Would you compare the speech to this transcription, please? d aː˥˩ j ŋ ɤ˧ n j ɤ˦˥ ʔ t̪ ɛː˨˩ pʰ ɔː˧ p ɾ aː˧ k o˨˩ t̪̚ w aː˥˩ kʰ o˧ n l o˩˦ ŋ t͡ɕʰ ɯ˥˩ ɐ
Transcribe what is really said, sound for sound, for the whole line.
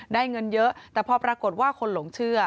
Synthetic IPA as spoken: d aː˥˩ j ŋ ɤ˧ n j ɤ˦˥ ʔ t̪ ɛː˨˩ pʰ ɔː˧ p ɾ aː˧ k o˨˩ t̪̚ w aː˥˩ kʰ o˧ n l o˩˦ ŋ t͡ɕʰ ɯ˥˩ ɐ

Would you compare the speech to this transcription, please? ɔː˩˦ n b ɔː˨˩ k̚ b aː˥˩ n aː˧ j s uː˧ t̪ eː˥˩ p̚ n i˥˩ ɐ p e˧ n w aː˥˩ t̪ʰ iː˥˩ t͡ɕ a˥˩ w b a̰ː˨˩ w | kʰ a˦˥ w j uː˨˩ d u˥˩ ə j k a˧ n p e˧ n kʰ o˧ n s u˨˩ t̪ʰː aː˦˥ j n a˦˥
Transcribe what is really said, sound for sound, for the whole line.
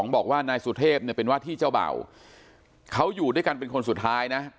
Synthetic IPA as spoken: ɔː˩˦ ŋ b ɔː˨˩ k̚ w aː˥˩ n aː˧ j s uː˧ t̪ʰ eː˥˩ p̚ n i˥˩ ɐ p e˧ n w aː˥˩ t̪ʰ iː˥˩ t͡ɕ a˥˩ w b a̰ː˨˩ w | kʰ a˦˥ w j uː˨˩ d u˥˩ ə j k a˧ n p e˧ n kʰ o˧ n s u˨˩ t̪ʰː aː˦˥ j n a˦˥

